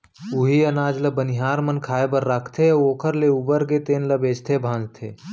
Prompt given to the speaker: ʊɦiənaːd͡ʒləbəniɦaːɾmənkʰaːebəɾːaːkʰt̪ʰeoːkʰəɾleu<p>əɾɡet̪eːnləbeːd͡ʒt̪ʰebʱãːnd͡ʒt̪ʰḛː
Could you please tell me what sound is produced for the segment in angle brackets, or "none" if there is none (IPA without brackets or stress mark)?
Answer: b